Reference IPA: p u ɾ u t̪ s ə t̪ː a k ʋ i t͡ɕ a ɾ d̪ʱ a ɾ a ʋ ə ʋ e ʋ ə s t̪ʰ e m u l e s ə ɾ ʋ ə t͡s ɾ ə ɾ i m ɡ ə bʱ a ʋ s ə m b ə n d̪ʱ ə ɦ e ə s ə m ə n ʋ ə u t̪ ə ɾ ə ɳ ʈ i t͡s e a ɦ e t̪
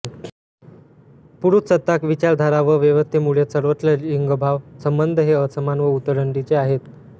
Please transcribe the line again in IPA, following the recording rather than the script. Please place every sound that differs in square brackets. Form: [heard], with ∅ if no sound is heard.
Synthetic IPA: p u ɾ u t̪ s ə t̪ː a k ʋ i t͡ɕ a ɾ d̪ʱ a ɾ a ʋ ə ʋ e ʋ ə s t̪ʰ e m u [ɭ] e s ə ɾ ʋ ə t͡s [l] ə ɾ i [ŋ] ɡ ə bʱ a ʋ s ə m b ə n d̪ʱ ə ɦ e ə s ə m [a] n ʋ ə u t̪ ə ɾ ə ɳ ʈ i t͡s e a ɦ e t̪